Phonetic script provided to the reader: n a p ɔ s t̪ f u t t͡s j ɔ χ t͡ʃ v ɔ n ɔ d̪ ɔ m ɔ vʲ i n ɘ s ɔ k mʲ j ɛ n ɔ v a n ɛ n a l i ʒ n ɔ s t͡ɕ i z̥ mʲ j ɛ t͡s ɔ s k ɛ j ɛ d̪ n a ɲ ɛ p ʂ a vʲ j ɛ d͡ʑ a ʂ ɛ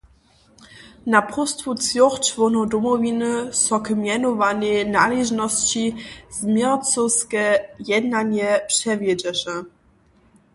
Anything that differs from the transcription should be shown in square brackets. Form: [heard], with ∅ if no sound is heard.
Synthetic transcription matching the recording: n a p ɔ s t̪ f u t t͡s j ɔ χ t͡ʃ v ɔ n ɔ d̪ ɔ m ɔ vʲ i n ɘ s ɔ k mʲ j ɛ n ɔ v a n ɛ n a l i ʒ n ɔ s t͡ɕ i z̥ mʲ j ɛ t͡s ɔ s k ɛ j ɛ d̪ n a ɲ ɛ p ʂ [ɛ] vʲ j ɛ d͡ʑ [ɛ] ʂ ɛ